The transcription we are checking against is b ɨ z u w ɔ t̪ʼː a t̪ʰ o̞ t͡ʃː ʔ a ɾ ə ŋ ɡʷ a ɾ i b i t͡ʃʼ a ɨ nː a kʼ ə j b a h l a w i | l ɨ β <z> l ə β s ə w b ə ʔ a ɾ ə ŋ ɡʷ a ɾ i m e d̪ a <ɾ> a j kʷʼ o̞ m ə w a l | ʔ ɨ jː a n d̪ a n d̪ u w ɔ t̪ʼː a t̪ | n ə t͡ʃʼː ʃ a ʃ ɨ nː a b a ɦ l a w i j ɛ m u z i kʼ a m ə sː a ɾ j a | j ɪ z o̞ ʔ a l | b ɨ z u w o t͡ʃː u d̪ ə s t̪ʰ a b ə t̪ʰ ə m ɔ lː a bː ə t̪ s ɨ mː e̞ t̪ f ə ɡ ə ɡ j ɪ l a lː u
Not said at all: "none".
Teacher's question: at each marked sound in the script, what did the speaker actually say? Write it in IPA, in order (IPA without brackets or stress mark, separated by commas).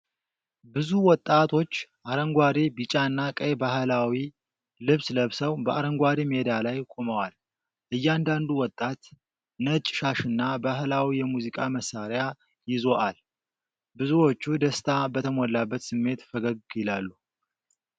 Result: s, l